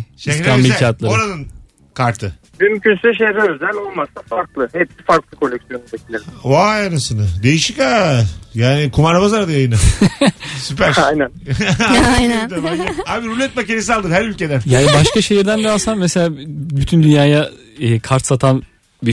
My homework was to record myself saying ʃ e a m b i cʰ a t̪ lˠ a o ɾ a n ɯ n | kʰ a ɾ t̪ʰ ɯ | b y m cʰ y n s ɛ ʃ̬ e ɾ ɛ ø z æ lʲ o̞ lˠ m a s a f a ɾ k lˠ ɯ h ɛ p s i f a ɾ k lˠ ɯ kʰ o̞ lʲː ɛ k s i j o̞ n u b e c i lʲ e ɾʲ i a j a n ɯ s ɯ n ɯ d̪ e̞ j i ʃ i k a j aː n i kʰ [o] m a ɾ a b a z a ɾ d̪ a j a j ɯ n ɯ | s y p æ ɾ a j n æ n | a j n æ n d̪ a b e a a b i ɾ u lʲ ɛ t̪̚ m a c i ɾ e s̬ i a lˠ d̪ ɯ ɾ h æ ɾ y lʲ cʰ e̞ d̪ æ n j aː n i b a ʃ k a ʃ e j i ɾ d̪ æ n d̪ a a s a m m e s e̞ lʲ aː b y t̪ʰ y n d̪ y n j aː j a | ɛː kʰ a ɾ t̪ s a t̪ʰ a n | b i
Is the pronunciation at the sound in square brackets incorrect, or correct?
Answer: incorrect